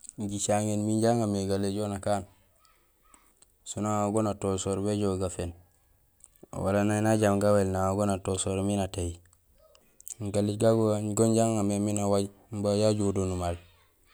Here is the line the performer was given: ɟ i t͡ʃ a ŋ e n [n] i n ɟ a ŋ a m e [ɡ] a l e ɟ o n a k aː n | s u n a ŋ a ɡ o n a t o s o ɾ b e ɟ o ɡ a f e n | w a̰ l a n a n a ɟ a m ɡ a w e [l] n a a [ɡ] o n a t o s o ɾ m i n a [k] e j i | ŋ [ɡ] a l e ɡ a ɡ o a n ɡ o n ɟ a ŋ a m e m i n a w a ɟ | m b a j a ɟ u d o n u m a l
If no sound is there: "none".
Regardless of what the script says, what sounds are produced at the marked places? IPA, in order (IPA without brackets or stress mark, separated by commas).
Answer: m, ɡ, l, ɡ, t, ɡ